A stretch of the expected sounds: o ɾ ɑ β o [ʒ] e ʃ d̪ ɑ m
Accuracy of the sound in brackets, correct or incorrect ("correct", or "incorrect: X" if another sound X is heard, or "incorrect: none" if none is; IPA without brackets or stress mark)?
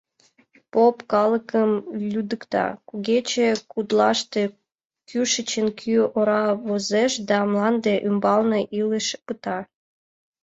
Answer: incorrect: z